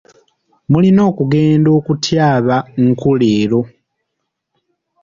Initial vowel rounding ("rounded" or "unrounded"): rounded